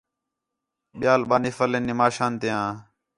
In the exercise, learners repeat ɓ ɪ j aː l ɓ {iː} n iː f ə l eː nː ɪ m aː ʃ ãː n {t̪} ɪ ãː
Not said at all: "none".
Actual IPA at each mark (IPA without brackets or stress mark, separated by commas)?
aː, t̪